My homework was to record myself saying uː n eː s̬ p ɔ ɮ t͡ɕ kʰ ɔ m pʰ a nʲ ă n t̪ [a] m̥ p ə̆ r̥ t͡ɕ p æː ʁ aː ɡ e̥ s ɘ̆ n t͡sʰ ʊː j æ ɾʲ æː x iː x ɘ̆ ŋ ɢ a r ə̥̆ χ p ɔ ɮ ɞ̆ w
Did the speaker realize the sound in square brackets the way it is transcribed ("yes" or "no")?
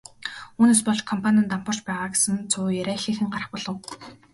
yes